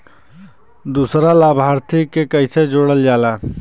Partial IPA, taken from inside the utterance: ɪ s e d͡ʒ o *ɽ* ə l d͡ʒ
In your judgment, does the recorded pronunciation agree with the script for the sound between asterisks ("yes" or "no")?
yes